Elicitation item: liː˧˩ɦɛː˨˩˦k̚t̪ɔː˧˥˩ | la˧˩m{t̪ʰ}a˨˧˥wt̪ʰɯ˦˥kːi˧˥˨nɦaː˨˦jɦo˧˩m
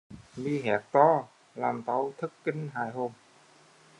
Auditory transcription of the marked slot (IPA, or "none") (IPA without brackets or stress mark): t̪